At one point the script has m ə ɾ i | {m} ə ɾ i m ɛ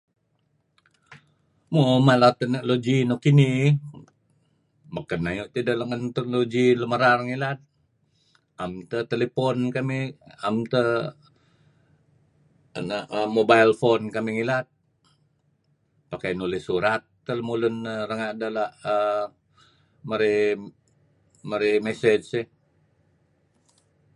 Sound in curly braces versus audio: correct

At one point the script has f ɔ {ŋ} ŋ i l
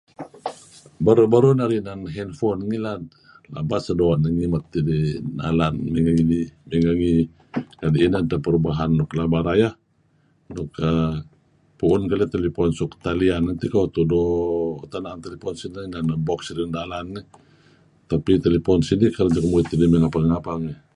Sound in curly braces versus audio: incorrect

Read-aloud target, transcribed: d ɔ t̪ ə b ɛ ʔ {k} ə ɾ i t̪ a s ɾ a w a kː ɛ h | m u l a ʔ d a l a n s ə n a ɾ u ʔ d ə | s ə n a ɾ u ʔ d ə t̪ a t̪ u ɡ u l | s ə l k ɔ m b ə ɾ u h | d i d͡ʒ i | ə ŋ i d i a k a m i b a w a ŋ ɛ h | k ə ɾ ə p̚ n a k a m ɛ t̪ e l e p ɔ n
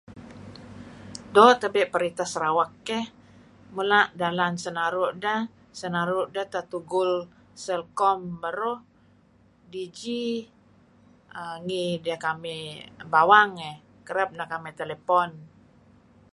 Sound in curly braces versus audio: incorrect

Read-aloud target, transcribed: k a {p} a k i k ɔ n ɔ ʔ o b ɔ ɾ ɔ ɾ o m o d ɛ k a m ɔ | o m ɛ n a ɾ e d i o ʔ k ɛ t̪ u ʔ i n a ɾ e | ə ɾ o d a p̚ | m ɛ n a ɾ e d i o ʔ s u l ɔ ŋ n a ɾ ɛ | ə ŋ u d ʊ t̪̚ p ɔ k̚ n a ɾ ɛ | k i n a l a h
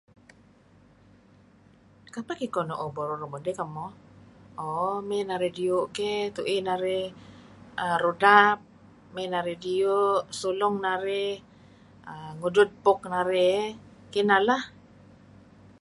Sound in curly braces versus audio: correct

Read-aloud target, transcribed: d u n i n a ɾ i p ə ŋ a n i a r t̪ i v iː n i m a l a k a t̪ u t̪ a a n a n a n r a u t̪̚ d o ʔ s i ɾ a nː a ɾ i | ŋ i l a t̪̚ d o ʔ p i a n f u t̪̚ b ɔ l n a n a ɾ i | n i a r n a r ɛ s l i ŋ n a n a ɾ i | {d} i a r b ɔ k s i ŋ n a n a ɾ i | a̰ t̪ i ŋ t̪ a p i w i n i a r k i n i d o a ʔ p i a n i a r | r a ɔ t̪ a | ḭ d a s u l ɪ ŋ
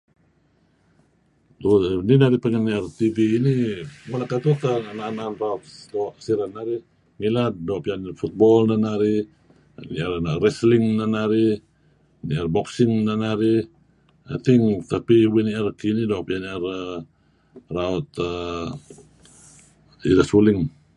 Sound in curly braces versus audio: incorrect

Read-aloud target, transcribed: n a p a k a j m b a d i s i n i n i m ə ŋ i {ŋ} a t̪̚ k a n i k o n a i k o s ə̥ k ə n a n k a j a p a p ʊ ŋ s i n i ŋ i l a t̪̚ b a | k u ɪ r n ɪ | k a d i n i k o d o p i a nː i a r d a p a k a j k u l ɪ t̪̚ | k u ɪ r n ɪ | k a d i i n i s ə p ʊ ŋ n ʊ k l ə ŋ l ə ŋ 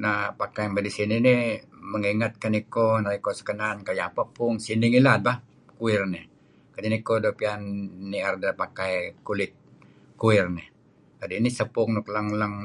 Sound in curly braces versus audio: correct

